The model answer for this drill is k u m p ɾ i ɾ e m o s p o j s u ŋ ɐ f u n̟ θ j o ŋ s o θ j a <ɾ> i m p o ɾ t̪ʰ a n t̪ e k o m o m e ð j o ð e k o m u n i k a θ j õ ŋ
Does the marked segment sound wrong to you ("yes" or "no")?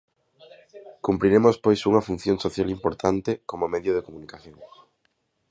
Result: yes